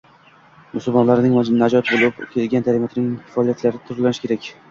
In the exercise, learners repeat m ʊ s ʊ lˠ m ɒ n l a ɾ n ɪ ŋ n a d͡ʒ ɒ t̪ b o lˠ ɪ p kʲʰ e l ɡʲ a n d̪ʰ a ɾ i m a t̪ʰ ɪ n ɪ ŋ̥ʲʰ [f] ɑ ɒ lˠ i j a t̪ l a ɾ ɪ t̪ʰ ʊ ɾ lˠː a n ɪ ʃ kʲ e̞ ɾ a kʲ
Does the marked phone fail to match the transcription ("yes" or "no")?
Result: no